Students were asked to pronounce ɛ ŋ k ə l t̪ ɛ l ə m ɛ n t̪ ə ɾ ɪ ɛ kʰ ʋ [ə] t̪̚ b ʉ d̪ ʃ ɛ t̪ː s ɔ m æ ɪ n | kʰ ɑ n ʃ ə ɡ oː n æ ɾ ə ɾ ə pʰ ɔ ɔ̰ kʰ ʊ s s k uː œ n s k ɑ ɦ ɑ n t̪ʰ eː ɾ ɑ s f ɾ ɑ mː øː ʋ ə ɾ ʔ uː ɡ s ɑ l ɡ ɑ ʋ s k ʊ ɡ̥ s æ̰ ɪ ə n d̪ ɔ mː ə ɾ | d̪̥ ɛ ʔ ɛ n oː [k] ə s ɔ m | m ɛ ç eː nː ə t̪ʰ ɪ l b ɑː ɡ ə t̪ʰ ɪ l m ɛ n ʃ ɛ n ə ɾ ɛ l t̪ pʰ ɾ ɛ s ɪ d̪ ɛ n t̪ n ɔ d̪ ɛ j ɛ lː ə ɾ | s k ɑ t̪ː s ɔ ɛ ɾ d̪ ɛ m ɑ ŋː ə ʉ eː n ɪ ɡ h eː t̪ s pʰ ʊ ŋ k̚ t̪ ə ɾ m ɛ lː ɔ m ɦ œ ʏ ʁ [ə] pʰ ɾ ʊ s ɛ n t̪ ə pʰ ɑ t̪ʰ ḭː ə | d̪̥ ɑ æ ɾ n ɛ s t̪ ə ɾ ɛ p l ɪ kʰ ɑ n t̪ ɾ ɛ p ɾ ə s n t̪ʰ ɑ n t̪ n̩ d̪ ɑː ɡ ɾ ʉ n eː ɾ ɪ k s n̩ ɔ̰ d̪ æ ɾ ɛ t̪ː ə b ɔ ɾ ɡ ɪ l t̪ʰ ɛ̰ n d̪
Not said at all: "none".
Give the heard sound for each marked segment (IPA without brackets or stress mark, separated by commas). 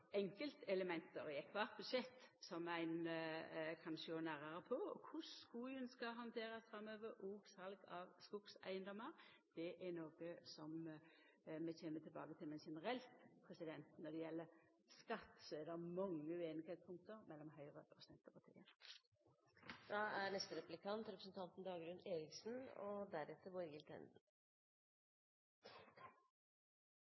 ɑ, ɡ, ə